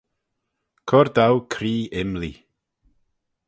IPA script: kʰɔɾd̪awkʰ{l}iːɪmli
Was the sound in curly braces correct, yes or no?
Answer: no